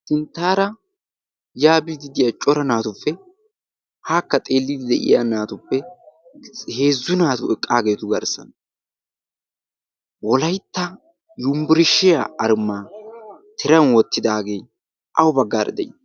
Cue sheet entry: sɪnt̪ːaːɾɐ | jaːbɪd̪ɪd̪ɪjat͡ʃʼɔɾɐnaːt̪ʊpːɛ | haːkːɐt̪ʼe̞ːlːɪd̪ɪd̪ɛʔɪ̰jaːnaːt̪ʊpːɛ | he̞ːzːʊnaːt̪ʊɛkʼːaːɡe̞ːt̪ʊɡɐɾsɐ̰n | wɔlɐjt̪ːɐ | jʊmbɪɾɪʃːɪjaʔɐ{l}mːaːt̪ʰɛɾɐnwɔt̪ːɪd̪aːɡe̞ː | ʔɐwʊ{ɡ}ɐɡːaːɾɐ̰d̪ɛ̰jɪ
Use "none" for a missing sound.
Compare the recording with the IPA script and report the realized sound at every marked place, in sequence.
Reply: ɾ, b

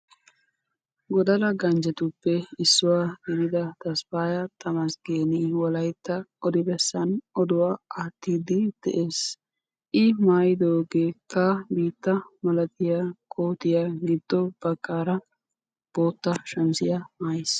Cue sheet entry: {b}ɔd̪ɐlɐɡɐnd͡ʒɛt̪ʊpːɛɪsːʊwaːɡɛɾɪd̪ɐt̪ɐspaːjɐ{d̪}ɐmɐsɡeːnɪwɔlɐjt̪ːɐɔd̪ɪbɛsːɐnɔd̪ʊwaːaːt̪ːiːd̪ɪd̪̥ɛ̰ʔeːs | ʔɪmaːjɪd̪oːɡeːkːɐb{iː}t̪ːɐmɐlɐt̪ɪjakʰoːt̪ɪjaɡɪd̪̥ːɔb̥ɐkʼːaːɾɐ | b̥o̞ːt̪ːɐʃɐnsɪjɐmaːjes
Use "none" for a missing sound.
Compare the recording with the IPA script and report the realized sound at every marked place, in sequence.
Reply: ɡ, t̪, iː

